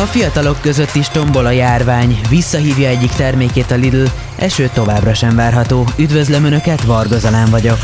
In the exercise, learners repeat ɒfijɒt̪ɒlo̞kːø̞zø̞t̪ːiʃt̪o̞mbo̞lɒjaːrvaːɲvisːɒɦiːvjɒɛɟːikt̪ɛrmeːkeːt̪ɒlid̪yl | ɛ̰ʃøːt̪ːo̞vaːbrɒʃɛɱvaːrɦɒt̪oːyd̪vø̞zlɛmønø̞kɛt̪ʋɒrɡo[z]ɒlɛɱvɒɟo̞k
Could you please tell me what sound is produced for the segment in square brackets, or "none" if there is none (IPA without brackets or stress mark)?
z